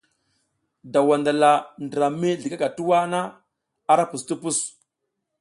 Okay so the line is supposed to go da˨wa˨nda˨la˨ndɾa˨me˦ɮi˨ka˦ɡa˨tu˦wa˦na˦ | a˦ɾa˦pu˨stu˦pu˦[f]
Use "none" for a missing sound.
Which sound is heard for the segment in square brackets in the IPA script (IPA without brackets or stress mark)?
s